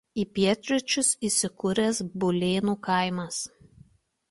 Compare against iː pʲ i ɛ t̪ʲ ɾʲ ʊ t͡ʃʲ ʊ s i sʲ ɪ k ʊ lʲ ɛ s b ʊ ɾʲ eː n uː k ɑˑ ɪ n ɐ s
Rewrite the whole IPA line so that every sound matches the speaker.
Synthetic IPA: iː pʲ i ɛ t̪ʲ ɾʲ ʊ t͡ʃʲ ʊ s i sʲ ɪ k ʊ ɾʲ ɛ s b ʊ lʲ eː n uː k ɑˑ ɪ m ɐ s